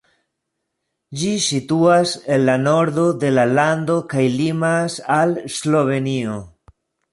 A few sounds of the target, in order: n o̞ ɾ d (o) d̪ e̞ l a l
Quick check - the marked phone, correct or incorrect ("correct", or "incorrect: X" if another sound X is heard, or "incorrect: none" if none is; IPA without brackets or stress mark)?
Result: correct